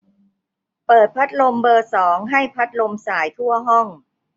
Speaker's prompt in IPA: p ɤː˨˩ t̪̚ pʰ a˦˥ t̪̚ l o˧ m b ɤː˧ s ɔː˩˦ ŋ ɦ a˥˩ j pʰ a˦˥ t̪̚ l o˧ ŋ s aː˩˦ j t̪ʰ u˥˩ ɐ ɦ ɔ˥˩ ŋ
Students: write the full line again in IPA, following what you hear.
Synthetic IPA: p ɤː˨˩ t̪̚ pʰ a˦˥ t̪̚ l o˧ m b ɤː˧ s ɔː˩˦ ŋ ɦ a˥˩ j pʰ a˦˥ t̪̚ l o˧ m s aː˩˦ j t̪ʰ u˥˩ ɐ ɦ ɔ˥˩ ŋ